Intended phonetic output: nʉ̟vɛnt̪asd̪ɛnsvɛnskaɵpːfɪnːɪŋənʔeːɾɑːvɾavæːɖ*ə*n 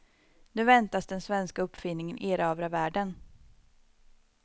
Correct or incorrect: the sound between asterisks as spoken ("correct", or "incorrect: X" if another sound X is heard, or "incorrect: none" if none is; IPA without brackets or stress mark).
correct